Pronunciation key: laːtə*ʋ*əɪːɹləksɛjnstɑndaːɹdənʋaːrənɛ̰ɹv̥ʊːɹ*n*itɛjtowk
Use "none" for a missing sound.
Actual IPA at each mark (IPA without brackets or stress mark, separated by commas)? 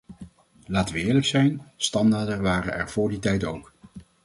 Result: ʋ, d